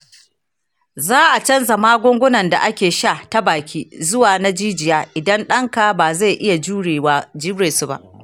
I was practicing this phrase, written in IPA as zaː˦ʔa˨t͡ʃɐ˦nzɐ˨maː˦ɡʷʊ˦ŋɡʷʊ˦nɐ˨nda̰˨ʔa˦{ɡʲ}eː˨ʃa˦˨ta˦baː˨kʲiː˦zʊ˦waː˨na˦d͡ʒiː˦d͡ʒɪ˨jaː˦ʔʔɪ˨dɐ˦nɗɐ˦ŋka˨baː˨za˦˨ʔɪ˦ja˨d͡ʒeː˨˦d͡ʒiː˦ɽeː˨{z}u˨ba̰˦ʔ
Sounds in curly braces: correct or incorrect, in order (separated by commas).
incorrect, incorrect